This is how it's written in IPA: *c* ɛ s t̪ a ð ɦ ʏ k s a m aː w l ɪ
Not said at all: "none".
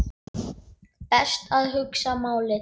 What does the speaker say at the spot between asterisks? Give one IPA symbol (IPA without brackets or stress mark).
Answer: p